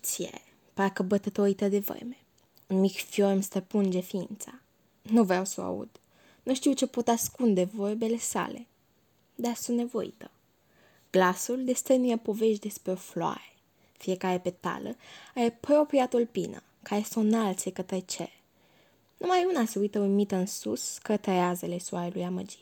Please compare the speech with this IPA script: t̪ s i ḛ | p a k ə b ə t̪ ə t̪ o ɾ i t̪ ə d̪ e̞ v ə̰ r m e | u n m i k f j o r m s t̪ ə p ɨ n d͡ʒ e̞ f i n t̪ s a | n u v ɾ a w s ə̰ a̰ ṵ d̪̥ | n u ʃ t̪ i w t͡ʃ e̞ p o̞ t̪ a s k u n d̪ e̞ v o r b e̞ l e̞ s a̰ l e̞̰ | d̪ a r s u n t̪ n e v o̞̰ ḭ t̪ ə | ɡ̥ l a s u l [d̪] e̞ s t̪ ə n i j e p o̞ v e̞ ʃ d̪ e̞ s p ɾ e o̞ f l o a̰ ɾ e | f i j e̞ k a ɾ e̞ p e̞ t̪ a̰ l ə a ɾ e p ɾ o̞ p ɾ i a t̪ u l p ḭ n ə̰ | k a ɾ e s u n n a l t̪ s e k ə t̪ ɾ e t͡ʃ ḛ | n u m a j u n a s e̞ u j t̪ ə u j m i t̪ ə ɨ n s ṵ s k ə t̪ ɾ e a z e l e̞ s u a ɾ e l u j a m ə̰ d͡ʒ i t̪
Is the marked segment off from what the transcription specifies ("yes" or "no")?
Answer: no